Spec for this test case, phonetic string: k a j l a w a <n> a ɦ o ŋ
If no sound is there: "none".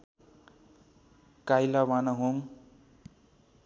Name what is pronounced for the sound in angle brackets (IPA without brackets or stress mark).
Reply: n